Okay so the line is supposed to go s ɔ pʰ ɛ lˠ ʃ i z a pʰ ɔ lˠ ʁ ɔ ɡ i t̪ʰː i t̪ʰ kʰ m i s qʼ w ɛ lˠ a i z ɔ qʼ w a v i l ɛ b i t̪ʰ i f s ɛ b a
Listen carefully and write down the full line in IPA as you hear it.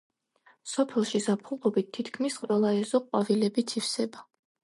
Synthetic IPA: s ɔ pʰ ɛ lˠ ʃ i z a pʰ u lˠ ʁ ɔ b i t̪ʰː i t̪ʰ kʰ m i s qʼ w ɛ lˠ a ɛ z ɔ qʼ w a v i l ɛ b i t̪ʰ i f s ɛ b a